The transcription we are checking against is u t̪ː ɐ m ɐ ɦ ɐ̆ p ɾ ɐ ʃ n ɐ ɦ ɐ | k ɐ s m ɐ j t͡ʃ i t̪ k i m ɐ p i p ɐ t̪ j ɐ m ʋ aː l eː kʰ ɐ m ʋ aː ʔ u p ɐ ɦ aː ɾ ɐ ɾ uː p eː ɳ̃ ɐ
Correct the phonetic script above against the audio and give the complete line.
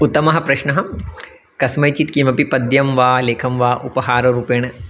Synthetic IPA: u t̪ː ɐ m ɐ ɦ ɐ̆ p ɾ ɐ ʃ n ɐ ɦ ɐ | k ɐ s m ɐ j t͡ʃ i t̪ k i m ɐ p i p ɐ d̪ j ɐ m ʋ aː l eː kʰ ɐ m ʋ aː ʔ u p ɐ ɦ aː ɾ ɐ ɾ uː p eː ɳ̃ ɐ